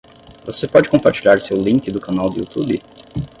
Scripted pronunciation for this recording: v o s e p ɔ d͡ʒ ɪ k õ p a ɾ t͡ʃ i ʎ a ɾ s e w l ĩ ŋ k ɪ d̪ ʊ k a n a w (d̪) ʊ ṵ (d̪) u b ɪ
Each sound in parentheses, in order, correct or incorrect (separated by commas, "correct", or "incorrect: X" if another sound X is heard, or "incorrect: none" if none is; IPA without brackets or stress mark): correct, incorrect: t̪